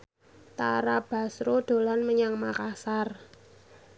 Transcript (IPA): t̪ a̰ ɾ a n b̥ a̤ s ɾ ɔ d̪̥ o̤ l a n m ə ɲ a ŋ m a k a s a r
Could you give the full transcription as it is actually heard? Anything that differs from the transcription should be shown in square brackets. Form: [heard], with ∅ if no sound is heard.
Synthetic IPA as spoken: t̪ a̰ ɾ a [∅] b̥ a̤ s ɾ [o] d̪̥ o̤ l a n m ə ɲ a ŋ m a k a s a r